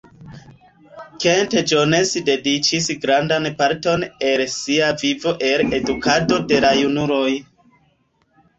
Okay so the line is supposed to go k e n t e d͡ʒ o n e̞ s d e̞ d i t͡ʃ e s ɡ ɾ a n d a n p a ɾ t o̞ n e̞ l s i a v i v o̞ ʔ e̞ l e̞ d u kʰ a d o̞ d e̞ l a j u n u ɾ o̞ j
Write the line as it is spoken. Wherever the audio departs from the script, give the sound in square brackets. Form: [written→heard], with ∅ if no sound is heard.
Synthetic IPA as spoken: k e n t e d͡ʒ o n e̞ s d e̞ d i t͡ʃ [e→i] s ɡ ɾ a n d a n p a ɾ t o̞ n e̞ l s i a v i v o̞ ʔ e̞ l e̞ d u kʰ a d o̞ d e̞ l a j u n u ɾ o̞ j